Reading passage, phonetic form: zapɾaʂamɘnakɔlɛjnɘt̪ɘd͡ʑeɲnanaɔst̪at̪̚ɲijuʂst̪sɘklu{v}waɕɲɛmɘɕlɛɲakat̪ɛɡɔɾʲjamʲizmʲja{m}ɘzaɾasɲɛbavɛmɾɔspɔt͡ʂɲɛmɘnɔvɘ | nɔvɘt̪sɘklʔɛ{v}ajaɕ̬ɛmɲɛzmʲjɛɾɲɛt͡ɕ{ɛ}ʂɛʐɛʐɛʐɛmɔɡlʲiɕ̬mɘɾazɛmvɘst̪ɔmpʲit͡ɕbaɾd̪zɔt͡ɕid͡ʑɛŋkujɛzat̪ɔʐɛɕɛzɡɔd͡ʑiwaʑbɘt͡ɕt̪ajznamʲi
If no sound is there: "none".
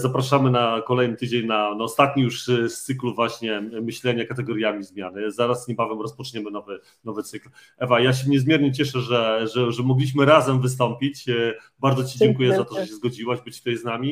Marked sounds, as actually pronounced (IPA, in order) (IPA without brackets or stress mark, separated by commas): v, n, v, ɛ